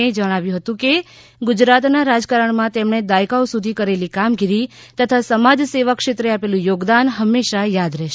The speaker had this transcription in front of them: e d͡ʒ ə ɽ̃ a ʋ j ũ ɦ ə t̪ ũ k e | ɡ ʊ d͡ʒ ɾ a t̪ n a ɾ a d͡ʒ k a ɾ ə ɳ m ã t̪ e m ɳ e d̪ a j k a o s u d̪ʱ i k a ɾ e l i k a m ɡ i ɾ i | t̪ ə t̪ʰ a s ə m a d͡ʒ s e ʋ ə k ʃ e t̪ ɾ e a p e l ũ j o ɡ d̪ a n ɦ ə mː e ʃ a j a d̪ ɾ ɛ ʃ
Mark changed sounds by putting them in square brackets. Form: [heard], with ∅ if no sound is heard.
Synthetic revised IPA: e d͡ʒ ə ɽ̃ a ʋ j ũ ɦ ə t̪ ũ k e | ɡ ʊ d͡ʒ ɾ a t̪ n a ɾ a d͡ʒ k a ɾ ə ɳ m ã t̪ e m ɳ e d̪ a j k a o s u d̪ʱ i k [ə] ɾ e l i k a m ɡ i ɾ i | t̪ ə t̪ʰ a s ə m a d͡ʒ s e ʋ ə k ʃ e t̪ ɾ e a p e l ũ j o ɡ d̪ a n ɦ ə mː e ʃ a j a d̪ ɾ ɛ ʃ

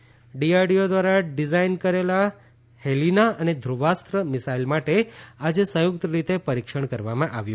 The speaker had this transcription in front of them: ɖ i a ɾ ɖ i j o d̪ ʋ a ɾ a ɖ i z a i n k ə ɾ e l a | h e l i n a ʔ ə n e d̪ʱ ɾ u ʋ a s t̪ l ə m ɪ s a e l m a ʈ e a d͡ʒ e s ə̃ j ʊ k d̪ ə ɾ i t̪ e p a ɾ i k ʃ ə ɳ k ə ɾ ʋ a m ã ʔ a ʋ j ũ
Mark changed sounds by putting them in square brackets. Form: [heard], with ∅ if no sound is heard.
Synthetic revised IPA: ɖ i a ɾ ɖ i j o d̪ ʋ a ɾ a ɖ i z a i n k ə ɾ e l a | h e l i n a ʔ ə n e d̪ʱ ɾ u ʋ a s t̪ [ɾ] ə m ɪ s a [i] l m a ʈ e a d͡ʒ e s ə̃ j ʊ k [t̪] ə ɾ i t̪ e p [ə] ɾ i k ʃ ə ɳ k ə ɾ ʋ a m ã ʔ a ʋ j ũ

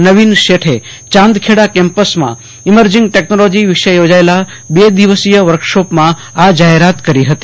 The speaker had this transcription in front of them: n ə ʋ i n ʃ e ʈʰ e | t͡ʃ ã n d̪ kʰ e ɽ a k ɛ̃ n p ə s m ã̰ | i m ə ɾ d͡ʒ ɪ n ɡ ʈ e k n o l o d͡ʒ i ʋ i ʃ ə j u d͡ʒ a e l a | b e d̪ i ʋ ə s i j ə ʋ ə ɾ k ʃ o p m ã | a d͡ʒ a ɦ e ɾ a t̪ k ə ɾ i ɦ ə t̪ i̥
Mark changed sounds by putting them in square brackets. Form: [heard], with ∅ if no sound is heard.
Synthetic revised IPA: n ə ʋ i n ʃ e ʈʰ e | t͡ʃ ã n d̪ kʰ e ɽ a k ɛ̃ [m] p ə s m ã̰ | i m ə ɾ d͡ʒ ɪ [ŋ] ɡ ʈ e k n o l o d͡ʒ i ʋ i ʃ ə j [o] d͡ʒ a e l a | b e d̪ i ʋ ə s i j ə ʋ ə ɾ k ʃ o p m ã | a d͡ʒ a ɦ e ɾ a t̪ k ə ɾ i ɦ ə t̪ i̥

